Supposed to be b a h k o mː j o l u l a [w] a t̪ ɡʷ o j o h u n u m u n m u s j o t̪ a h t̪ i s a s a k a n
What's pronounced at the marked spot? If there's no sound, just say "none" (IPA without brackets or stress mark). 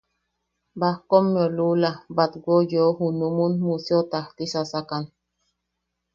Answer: b